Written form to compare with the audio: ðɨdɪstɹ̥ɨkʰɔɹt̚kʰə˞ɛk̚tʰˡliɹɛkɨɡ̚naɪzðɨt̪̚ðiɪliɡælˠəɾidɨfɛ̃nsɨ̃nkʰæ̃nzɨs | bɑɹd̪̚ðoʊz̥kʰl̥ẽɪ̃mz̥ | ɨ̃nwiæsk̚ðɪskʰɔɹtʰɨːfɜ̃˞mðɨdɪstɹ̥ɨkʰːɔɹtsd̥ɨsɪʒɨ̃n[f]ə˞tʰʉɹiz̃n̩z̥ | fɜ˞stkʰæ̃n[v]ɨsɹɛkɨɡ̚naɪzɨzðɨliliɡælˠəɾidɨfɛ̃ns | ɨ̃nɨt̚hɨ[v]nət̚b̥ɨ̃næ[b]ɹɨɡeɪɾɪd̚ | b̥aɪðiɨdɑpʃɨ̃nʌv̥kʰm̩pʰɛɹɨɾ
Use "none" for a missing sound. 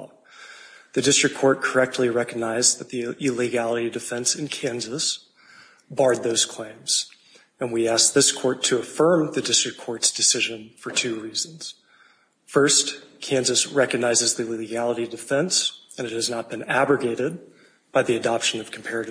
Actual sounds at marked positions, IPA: f, z, z, b

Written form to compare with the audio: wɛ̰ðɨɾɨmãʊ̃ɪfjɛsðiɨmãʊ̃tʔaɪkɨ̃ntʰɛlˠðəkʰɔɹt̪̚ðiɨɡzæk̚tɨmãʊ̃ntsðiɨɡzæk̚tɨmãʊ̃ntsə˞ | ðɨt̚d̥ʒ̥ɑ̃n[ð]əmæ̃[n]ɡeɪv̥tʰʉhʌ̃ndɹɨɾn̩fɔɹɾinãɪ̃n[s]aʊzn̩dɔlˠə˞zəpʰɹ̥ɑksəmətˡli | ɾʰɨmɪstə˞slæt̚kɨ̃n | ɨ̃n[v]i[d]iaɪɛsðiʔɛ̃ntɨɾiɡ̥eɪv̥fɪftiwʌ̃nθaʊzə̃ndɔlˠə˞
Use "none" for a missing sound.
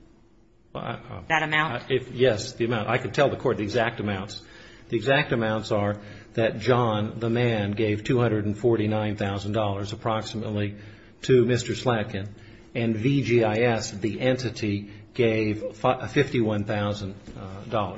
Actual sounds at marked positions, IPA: ð, n, θ, v, d͡ʒ

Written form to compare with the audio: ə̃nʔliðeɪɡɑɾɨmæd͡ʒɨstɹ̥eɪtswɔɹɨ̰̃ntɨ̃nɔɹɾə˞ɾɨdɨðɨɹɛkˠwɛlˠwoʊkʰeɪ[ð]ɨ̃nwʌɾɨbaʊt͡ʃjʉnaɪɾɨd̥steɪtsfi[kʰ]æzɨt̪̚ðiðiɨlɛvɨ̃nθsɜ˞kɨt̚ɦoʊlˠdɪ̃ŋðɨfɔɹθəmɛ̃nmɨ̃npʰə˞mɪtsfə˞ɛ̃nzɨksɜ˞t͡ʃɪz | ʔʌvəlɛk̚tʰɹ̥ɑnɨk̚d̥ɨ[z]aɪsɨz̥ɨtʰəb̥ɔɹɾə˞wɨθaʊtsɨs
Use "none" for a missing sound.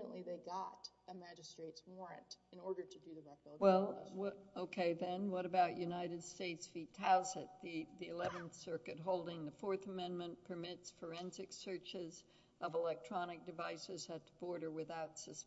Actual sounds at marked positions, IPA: ð, tʰ, v

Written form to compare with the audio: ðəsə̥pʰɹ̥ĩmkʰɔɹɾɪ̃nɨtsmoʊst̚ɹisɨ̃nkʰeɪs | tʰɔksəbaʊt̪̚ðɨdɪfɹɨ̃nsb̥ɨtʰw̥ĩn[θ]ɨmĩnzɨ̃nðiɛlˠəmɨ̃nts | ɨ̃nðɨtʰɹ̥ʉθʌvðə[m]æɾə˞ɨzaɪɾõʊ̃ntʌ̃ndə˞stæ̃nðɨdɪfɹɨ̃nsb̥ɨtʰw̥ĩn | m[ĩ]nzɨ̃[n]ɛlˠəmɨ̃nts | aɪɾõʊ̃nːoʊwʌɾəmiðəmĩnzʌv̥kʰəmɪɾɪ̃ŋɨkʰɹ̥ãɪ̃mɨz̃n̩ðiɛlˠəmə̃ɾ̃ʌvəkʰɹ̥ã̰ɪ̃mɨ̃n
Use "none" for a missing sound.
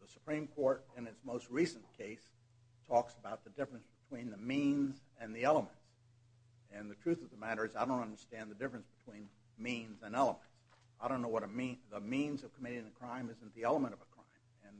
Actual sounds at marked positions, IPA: ð, m, ĩ, n

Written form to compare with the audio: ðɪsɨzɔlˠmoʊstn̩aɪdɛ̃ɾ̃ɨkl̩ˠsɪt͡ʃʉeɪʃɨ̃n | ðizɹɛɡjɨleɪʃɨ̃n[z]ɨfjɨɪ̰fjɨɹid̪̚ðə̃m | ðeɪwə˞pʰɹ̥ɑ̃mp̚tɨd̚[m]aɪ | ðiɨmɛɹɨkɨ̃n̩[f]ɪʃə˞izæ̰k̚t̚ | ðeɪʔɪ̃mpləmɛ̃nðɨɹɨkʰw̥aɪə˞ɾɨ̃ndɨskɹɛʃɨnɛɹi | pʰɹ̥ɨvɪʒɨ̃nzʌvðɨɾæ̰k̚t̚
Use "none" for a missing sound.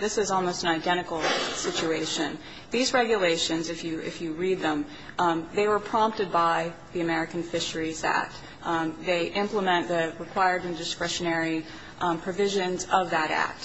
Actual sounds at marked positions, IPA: z, b, f

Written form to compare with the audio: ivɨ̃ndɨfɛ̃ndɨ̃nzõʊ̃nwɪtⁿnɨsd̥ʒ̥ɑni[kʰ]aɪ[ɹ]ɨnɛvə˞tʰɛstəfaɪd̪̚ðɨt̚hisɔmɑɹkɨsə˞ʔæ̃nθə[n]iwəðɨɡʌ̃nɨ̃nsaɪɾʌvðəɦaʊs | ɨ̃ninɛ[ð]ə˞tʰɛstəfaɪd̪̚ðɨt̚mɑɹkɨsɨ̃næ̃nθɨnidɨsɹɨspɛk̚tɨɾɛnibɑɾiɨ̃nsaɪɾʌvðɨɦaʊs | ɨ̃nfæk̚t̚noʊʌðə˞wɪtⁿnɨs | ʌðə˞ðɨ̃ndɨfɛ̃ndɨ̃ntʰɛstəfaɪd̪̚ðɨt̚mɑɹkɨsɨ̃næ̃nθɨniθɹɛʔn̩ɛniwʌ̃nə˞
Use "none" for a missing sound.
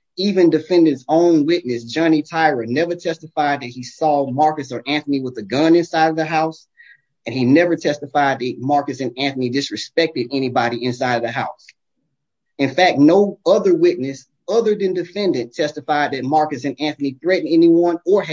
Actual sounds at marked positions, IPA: tʰ, ɹ, n, v

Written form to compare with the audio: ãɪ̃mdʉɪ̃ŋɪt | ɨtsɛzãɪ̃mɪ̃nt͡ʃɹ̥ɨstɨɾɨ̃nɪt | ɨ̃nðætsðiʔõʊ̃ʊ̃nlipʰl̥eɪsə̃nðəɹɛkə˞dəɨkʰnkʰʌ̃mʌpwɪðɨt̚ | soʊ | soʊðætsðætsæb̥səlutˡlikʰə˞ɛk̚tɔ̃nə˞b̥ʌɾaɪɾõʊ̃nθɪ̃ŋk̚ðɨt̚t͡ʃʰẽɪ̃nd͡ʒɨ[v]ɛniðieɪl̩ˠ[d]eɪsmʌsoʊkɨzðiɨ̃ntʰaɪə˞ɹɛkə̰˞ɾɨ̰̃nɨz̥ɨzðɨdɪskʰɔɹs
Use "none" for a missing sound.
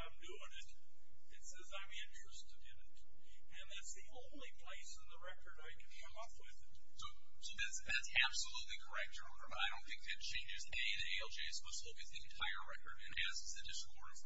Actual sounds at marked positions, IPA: z, d͡ʒ

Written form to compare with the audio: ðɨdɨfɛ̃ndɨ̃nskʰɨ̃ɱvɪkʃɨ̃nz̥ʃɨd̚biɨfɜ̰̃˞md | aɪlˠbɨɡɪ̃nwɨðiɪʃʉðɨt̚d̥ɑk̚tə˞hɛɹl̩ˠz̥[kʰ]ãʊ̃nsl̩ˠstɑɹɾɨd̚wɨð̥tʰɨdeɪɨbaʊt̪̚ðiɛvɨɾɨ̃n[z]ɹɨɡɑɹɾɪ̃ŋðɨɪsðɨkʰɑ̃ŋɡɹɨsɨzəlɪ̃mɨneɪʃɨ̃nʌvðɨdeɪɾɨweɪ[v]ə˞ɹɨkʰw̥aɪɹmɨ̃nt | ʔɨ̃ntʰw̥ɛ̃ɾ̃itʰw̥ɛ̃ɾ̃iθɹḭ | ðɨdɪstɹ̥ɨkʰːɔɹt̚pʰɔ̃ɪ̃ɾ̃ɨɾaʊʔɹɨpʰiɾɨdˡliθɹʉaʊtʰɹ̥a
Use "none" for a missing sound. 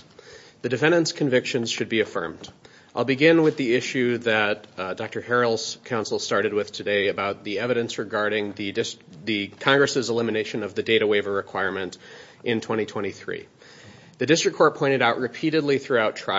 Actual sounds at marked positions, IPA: kʰ, s, v

